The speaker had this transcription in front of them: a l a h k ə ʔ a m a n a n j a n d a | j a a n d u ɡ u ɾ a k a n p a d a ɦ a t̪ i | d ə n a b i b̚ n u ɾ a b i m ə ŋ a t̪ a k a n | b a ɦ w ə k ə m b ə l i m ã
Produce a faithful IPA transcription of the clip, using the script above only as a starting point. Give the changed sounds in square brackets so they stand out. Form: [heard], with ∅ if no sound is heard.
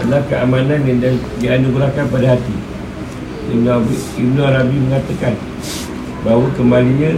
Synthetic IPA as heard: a l a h k ə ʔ a m a n a n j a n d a | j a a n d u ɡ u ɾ a k a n p a d a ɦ a t̪ i | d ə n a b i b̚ n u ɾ a b i m ə ŋ a t̪ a k a n | b a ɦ w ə k ə m b [a] l i [ɲ] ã